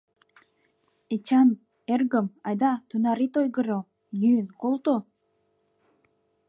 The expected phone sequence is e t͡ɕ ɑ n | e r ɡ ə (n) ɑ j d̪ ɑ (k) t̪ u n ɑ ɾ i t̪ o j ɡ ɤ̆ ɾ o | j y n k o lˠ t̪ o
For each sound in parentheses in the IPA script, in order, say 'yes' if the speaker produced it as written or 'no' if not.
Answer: no, no

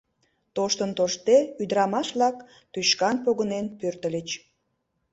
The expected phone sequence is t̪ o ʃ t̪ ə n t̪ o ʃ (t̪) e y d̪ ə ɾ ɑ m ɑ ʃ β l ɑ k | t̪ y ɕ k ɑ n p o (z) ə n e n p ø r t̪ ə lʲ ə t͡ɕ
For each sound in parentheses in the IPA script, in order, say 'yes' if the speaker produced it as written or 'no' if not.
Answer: yes, no

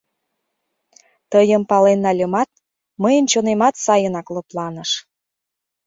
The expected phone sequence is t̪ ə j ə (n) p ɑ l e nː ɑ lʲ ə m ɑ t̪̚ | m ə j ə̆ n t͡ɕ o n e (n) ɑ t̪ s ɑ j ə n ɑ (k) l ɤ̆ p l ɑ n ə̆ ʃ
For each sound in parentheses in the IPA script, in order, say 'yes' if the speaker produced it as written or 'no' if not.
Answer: no, no, yes

